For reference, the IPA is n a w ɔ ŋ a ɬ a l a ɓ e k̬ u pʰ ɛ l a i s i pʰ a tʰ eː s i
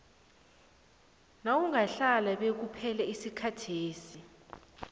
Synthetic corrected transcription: n a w u ŋ a ɬ a l a ɓ e k̬ u pʰ ɛ l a i s i kʰ a tʰ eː s i